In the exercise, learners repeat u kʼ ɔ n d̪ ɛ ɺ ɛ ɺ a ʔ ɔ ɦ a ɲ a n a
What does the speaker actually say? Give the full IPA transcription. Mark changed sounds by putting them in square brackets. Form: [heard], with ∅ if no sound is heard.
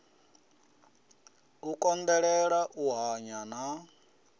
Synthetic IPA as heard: u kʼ ɔ n d̪ ɛ ɺ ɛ ɺ a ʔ [u] ɦ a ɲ a n a